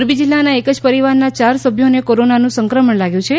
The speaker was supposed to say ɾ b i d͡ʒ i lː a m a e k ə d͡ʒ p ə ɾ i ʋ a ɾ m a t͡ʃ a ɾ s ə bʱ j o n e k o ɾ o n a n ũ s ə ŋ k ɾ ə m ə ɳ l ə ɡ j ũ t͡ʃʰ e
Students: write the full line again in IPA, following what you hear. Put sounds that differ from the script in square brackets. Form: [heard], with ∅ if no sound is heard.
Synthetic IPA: ɾ b i d͡ʒ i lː a [n] a e k ə d͡ʒ p ə ɾ i ʋ a ɾ [n] a t͡ʃ a ɾ s ə bʱ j o n e k o ɾ o n a n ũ s ə ŋ k ɾ ə m ə ɳ l [a] ɡ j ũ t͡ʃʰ e

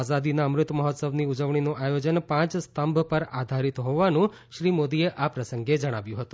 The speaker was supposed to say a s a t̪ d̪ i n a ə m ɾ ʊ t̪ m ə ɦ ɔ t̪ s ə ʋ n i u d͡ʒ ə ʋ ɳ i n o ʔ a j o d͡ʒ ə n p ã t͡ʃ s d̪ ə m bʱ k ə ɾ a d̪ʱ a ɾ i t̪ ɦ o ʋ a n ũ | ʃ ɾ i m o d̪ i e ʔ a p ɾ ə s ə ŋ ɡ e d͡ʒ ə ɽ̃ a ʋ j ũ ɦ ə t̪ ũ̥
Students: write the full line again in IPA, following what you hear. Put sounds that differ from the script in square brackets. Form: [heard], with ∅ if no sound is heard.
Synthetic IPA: a [z] a [∅] d̪ i n a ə m ɾ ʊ t̪ m ə ɦ ɔ t̪ s ə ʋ n i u d͡ʒ ə ʋ ɳ i n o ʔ a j o d͡ʒ ə n p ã t͡ʃ s [t̪] ə m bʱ [p] ə ɾ a d̪ʱ a ɾ i t̪ ɦ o ʋ a n ũ | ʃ ɾ i m o d̪ i e ʔ a p ɾ ə s ə ŋ ɡ e d͡ʒ ə ɽ̃ a ʋ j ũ ɦ ə t̪ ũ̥

